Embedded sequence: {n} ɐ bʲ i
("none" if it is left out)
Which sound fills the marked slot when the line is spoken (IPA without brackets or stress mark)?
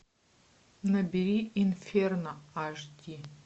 n